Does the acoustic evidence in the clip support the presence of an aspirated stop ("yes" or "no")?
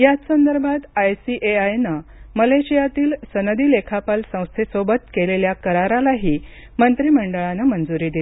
yes